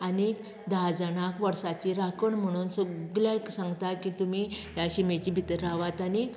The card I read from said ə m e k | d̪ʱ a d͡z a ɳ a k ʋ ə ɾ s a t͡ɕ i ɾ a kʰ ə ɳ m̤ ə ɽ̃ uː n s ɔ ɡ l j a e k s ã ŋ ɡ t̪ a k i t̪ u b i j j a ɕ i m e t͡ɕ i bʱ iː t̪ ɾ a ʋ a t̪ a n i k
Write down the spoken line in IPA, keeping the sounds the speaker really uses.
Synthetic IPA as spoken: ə n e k | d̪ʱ a d͡z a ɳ a k ʋ ə ɾ s a t͡ɕ i ɾ a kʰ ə ɳ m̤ ə ɽ̃ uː n s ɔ ɡ l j a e k s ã ŋ ɡ t̪ a k i t̪ u m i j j a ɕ i m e t͡ɕ i bʱ i t̪ ɾ a ʋ a t̪ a n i k